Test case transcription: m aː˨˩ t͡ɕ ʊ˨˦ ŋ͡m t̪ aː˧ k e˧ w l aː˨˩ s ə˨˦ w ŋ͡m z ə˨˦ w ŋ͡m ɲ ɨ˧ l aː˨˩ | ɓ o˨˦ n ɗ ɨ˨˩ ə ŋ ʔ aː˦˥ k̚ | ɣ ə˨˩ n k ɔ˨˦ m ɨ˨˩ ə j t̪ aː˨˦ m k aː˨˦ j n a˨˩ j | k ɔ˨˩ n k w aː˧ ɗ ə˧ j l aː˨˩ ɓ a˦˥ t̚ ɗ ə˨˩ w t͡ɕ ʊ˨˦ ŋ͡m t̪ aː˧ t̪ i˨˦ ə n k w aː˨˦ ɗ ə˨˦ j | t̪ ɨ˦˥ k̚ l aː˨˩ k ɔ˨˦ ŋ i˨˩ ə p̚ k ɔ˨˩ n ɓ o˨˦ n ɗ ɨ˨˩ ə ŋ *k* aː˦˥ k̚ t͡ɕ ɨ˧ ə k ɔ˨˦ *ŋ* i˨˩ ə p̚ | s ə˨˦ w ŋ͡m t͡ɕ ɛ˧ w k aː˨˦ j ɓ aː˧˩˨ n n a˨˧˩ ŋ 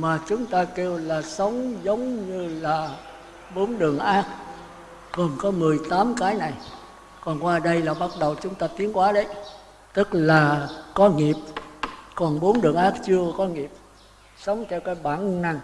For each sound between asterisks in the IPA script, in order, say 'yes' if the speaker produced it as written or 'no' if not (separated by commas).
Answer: no, yes